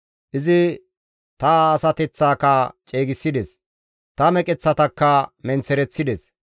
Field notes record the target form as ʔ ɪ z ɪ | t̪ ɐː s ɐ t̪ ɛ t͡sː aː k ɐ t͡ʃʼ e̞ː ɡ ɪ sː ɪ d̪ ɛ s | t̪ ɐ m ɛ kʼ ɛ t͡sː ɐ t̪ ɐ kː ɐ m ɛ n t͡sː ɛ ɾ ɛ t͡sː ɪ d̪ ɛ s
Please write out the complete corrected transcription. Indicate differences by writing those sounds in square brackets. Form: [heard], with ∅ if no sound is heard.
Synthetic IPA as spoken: ʔ ɪ z ɪ | t̪ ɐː s ɐ t̪ ɛ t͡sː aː k ɐ t͡ʃʼ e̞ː ɡ ɪ sː ɪ d̪ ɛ s | t̪ ɐ m ɛ kʼ ɛ t͡sː ɐ t̪ ɐ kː ɐ m ɛ n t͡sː ɛ ɾ ɛ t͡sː ɪ d̪ ɛ s